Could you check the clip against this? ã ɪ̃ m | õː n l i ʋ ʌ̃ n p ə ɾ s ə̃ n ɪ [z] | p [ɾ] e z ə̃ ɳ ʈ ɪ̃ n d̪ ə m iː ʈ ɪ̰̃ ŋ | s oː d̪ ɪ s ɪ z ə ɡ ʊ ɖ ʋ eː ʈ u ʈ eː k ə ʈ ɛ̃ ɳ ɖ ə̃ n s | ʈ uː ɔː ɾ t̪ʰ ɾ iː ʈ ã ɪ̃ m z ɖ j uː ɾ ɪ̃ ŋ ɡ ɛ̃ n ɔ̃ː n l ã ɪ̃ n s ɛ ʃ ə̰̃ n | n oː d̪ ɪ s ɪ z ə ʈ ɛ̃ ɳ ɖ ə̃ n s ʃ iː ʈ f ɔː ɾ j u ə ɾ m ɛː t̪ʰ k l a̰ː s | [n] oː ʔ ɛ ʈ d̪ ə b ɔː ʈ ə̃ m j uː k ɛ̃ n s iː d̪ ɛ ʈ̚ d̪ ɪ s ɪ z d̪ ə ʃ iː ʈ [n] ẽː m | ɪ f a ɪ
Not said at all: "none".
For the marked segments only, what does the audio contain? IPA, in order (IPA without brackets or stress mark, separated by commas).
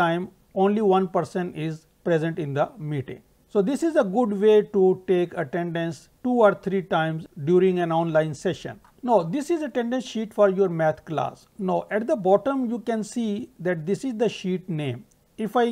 z, ɾ, n, n